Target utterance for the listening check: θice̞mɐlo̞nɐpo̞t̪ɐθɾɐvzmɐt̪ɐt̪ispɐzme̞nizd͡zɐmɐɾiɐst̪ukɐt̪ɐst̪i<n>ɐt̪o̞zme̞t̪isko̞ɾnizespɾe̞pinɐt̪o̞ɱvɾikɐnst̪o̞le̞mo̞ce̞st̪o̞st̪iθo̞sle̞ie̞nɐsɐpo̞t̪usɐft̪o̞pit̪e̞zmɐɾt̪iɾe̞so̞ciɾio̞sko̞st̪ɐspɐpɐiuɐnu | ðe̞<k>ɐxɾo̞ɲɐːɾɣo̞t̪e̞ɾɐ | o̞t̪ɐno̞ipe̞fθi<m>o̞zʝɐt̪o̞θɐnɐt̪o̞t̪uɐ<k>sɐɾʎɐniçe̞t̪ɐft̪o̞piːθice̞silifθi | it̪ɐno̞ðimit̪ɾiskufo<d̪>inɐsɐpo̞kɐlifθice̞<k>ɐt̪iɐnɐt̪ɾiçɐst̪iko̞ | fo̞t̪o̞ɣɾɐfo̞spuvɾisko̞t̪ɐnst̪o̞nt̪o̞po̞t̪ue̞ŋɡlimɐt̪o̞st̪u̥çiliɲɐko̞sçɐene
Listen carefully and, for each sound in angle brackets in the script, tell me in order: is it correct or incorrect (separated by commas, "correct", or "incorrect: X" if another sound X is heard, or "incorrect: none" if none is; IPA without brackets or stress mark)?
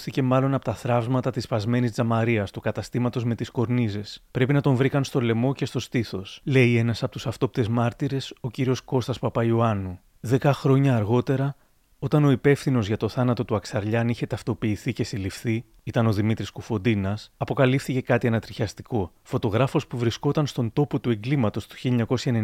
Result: incorrect: m, correct, incorrect: n, correct, correct, correct